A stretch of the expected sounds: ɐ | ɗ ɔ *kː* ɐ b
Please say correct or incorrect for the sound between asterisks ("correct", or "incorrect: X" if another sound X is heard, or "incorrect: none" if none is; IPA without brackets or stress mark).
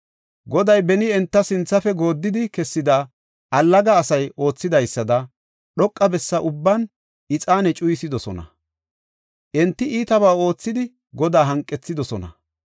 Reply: incorrect: kʼː